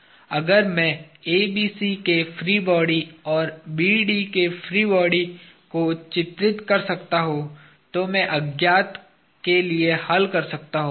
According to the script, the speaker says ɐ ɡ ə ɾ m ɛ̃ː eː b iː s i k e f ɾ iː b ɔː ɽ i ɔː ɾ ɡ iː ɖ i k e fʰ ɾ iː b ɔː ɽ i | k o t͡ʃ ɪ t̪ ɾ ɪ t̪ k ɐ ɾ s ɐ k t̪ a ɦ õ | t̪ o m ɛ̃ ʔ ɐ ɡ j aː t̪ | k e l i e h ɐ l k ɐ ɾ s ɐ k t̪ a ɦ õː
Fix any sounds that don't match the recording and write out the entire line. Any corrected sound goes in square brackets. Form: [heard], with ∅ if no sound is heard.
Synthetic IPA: ɐ ɡ ə ɾ m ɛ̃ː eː b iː s i k e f ɾ iː b ɔː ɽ i ɔː ɾ [b] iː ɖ i k e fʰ ɾ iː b ɔː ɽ i | k o t͡ʃ ɪ t̪ ɾ ɪ t̪ k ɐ ɾ s ɐ k t̪ a ɦ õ | t̪ o m ɛ̃ ʔ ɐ ɡ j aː t̪ | k e l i e h ɐ l k ɐ ɾ s ɐ k t̪ a ɦ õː

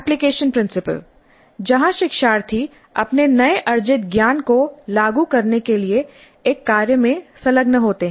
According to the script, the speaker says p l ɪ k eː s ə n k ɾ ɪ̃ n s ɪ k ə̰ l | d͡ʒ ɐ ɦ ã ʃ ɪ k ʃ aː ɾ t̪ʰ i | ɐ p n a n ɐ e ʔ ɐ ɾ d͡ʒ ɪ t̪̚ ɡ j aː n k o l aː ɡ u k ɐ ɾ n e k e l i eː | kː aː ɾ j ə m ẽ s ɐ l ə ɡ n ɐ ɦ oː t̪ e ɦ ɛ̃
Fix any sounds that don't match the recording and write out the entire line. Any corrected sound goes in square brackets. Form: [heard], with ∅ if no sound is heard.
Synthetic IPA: p l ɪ k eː [ʃ] ə n [p] ɾ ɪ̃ n s ɪ [p] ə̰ l | d͡ʒ ɐ ɦ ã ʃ ɪ k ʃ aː ɾ t̪ʰ i | ɐ p n [e] n ɐ e ʔ ɐ ɾ d͡ʒ ɪ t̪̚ ɡ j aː n k o l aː ɡ u k ɐ ɾ n e k e l i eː | kː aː ɾ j ə m ẽ s ɐ l ə ɡ n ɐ ɦ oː t̪ e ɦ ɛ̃

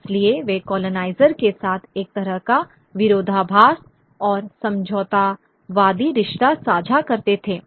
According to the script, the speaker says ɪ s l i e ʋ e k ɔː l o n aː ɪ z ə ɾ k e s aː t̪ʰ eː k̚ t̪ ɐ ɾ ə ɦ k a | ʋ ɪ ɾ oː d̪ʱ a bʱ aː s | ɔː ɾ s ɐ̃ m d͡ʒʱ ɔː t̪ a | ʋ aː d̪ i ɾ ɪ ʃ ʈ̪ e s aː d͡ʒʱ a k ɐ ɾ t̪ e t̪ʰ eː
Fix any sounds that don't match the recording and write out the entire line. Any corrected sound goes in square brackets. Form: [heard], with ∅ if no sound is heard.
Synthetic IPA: ɪ s l i e ʋ e k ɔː l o n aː ɪ z ə ɾ k e s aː t̪ʰ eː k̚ t̪ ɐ ɾ ə ɦ k a | ʋ ɪ ɾ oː d̪ʱ a bʱ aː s | ɔː ɾ s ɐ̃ m d͡ʒʱ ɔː t̪ a | ʋ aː d̪ i ɾ ɪ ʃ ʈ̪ [a] s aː d͡ʒʱ a k ɐ ɾ t̪ e t̪ʰ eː

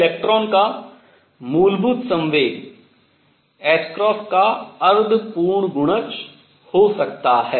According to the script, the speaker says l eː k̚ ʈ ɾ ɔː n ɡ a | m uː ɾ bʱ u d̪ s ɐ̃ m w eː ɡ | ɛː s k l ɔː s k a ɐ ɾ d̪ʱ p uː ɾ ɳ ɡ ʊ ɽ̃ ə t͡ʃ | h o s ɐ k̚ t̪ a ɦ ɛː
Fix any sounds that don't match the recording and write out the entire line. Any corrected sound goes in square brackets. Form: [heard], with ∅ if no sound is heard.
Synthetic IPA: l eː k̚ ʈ ɾ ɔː n [k] a | m uː [l] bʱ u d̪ s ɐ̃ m [ʋ] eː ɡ | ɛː s k [ɾ] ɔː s k a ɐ ɾ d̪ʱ p uː ɾ ɳ ɡ ʊ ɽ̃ ə t͡ʃ | h o s ɐ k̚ t̪ a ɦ ɛː

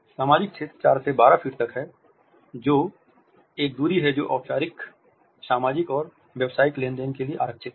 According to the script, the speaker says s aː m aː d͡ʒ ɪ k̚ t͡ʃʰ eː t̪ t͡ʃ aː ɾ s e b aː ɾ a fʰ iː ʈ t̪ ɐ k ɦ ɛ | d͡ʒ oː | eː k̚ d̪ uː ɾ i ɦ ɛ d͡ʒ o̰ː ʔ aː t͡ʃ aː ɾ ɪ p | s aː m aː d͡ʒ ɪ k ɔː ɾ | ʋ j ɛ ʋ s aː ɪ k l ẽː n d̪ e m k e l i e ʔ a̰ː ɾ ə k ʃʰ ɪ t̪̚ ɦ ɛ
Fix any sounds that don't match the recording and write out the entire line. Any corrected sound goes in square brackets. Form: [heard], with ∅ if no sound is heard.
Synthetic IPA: s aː m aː d͡ʒ ɪ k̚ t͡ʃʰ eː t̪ t͡ʃ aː ɾ s e b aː ɾ a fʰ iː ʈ t̪ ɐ k ɦ ɛ | d͡ʒ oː | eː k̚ d̪ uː ɾ i ɦ ɛ d͡ʒ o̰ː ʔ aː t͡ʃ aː ɾ ɪ [k] | s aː m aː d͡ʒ ɪ k ɔː ɾ | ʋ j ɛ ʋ s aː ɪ k l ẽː n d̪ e [n] k e l i e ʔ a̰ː ɾ ə k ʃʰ ɪ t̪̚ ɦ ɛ

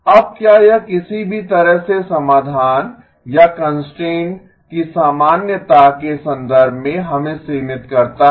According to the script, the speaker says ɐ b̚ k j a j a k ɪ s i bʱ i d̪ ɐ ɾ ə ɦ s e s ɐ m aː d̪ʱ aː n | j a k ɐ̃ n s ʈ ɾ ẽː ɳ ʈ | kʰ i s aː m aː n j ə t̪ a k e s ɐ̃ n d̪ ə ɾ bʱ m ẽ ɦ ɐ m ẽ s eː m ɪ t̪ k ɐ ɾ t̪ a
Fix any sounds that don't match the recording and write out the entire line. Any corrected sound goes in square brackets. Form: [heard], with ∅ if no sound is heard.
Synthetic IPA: ɐ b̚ k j a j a k ɪ s i bʱ i [t̪] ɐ ɾ ə ɦ s e s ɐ m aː d̪ʱ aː n | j a k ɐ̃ n s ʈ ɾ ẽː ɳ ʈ | [k] i s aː m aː n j ə t̪ a k e s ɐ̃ n d̪ ə ɾ bʱ m ẽ ɦ ɐ m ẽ s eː m ɪ t̪ k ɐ ɾ t̪ a

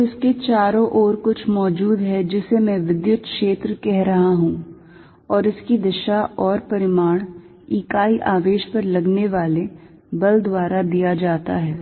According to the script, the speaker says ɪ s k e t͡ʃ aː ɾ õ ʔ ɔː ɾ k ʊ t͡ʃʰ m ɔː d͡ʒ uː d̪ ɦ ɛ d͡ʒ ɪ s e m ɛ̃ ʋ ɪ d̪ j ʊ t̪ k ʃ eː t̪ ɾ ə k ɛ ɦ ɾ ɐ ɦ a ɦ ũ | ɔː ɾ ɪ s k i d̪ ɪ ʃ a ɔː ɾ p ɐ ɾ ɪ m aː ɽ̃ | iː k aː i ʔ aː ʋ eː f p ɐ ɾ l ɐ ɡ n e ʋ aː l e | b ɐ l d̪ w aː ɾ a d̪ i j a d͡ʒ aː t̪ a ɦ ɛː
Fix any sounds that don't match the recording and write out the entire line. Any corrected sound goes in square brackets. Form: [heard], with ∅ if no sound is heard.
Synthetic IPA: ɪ s k e t͡ʃ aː ɾ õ ʔ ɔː ɾ k ʊ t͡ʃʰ m ɔː d͡ʒ uː d̪ ɦ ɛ d͡ʒ ɪ s e m ɛ̃ ʋ ɪ d̪ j ʊ t̪ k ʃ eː t̪ ɾ ə k ɛ ɦ ɾ ɐ ɦ a ɦ ũ | ɔː ɾ ɪ s k i d̪ ɪ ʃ a ɔː ɾ p ɐ ɾ ɪ m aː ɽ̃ | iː k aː i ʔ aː ʋ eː [ʃ] p ɐ ɾ l ɐ ɡ n e ʋ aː l e | b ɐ l d̪ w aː ɾ a d̪ i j a d͡ʒ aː t̪ a ɦ ɛː

